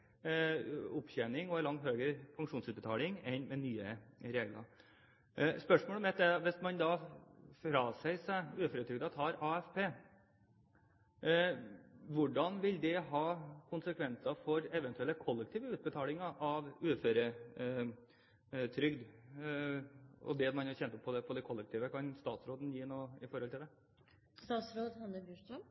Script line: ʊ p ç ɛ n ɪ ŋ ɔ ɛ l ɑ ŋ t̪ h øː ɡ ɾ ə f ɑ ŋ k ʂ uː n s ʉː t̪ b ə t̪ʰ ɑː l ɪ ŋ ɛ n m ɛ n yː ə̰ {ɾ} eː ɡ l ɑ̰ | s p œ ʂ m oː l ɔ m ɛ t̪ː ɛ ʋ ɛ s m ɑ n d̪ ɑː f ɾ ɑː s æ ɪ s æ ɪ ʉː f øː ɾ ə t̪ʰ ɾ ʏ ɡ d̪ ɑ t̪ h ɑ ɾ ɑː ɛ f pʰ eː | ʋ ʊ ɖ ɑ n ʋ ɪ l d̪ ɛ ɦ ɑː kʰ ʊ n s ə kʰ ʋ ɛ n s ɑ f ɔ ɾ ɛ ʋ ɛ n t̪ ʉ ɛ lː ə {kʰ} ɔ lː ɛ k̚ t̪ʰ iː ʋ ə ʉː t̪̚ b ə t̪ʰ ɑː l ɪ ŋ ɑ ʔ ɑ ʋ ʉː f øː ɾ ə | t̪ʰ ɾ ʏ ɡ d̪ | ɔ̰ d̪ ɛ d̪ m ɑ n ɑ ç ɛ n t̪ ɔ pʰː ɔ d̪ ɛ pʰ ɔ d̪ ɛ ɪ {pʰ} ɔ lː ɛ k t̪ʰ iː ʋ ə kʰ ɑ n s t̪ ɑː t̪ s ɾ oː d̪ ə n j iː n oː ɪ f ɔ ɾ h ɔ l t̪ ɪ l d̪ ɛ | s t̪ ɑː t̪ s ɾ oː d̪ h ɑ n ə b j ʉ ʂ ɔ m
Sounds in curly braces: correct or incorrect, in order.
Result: correct, correct, incorrect

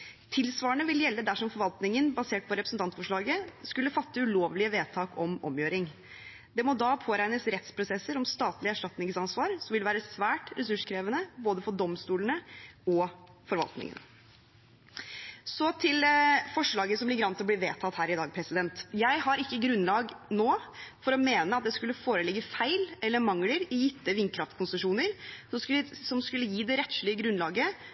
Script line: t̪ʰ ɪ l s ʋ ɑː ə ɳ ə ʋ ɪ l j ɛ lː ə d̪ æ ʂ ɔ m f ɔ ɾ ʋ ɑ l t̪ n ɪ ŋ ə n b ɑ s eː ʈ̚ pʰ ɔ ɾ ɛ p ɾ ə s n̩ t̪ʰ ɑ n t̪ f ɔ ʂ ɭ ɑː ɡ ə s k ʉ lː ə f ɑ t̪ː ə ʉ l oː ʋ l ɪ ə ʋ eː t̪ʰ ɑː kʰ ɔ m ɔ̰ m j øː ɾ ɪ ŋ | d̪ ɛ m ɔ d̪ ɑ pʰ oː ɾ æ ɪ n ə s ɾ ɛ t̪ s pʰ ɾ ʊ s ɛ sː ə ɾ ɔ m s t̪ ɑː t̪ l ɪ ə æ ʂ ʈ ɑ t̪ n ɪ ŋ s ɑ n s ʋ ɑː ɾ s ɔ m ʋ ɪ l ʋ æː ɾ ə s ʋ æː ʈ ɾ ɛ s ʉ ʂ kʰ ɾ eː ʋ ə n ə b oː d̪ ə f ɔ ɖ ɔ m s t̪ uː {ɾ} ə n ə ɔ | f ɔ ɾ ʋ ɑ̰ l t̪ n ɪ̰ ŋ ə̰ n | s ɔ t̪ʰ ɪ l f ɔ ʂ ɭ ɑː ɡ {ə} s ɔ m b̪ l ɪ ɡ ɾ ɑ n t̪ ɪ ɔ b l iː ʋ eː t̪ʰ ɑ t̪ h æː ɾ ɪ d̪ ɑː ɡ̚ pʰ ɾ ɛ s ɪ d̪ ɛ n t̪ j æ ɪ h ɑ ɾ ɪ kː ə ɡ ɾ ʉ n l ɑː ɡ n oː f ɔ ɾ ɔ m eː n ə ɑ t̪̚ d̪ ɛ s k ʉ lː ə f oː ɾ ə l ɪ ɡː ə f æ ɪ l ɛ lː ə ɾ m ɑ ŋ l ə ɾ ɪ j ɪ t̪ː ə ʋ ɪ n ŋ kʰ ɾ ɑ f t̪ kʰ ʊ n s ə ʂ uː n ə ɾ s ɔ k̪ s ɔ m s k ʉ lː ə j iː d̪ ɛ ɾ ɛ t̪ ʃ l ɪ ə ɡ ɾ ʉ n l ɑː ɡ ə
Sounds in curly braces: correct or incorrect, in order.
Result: incorrect, correct

